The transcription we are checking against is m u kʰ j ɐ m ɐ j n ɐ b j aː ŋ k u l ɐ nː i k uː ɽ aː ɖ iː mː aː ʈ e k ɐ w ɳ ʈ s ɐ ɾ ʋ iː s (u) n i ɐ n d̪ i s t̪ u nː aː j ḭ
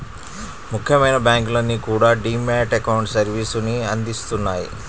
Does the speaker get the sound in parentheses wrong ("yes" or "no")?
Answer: no